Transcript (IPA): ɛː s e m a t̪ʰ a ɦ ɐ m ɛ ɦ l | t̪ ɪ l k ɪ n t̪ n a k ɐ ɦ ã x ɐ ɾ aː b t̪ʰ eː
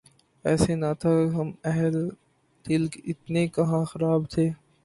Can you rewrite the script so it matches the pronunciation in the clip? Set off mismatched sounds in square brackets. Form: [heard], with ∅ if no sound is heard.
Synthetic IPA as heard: ɛː s e [n] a t̪ʰ a ɦ ɐ m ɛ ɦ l | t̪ ɪ l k ɪ [∅] t̪ n [e] k ɐ ɦ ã x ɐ ɾ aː b t̪ʰ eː